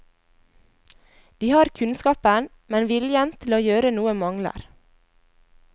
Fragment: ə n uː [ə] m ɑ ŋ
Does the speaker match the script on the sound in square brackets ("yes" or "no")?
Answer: yes